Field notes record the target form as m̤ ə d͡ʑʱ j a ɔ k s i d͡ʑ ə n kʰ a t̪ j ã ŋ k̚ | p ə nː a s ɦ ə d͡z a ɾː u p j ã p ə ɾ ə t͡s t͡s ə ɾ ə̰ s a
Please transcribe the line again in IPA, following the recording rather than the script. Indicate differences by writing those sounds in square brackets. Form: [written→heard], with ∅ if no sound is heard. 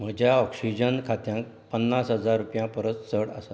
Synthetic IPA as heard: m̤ ə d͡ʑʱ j a ɔ k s i d͡ʑ ə n kʰ a t̪ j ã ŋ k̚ | p ə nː a s ɦ ə d͡z a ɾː u p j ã p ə ɾ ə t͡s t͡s ə [ɾ→ɽ] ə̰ s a